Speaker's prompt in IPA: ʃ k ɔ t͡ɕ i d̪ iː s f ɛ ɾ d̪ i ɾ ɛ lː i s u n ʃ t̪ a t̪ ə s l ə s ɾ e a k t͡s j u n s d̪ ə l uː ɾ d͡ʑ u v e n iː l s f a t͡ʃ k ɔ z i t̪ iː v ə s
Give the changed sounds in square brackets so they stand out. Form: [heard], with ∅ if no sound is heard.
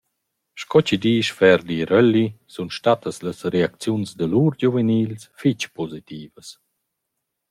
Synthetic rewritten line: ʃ k ɔ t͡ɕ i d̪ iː [ʃ] f ɛ ɾ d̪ i ɾ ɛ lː i s u n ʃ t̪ a t̪ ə s l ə s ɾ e a k t͡s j u n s d̪ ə l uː ɾ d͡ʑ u v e n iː l s f [i] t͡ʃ [p] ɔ z i t̪ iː v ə s